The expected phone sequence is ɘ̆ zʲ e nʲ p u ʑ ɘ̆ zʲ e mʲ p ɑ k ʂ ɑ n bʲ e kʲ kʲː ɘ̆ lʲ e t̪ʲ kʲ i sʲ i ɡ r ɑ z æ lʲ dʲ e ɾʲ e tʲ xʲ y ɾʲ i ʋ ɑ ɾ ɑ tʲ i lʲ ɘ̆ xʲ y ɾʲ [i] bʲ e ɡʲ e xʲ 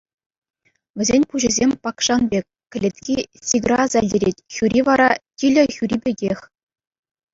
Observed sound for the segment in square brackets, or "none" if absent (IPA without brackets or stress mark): i